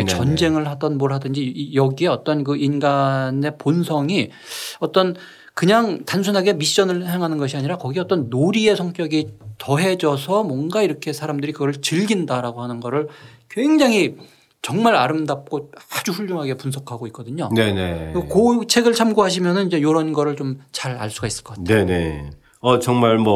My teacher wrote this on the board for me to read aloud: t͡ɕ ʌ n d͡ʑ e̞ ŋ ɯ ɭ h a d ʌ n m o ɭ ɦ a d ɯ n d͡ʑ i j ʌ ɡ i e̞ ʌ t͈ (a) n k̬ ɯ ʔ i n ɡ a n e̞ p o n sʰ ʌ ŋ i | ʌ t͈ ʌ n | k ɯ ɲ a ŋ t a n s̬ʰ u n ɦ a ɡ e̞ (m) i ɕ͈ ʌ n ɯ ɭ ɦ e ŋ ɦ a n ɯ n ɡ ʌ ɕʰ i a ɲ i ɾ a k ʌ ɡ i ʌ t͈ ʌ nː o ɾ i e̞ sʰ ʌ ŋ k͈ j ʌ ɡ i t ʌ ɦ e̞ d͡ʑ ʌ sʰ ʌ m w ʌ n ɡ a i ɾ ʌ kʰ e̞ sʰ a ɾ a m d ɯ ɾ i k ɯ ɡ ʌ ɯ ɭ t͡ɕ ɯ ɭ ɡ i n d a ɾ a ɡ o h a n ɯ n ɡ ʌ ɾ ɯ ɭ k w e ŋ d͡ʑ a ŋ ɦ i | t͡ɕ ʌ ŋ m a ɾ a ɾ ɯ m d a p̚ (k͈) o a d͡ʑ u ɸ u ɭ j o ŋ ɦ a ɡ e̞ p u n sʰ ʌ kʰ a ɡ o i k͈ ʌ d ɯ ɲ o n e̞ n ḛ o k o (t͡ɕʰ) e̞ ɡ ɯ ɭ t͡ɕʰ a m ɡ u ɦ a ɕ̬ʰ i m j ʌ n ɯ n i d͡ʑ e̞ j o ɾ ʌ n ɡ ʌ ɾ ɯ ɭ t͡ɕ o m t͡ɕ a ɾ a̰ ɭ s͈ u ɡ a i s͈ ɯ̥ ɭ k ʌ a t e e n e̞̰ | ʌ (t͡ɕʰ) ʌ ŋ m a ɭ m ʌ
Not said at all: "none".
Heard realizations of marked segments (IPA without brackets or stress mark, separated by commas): ʌ, m, k͈, t͡ɕʰ, t͡ɕ